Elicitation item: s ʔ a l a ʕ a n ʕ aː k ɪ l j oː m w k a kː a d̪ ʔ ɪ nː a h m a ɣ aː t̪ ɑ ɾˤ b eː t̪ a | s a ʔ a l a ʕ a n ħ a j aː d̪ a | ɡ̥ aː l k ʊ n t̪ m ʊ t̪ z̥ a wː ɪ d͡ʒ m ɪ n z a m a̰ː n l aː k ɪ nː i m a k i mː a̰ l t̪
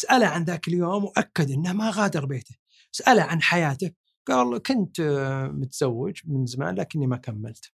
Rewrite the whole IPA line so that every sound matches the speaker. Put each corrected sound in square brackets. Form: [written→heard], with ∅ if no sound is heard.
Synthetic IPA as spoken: s ʔ a l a ʕ a n [ʕ→ð] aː k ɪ l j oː m w [k→ʔ] a kː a d̪ ʔ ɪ nː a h m a ɣ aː [t̪→d̪] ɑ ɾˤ b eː t̪ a | s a ʔ a l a ʕ a n ħ a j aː [d̪→t̪] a | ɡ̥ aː l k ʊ n t̪ m ʊ t̪ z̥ a wː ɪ d͡ʒ m ɪ n z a m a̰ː n l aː k ɪ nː i m a k [i→a] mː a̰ l t̪